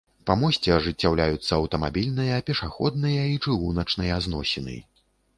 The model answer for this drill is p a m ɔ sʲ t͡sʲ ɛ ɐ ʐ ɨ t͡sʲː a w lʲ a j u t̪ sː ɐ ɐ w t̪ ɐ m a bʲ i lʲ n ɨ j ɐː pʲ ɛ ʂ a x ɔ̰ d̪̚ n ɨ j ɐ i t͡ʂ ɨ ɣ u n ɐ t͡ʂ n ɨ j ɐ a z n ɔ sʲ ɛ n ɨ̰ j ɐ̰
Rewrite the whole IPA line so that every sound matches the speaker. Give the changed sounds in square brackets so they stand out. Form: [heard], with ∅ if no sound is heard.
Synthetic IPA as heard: p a m ɔ sʲ t͡sʲ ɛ ɐ ʐ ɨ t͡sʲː a w lʲ a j u t̪ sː ɐ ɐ w t̪ ɐ m a bʲ i lʲ n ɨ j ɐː pʲ ɛ ʂ a x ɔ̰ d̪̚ n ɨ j ɐ i t͡ʂ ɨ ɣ u n ɐ t͡ʂ n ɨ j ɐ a z n ɔ sʲ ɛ n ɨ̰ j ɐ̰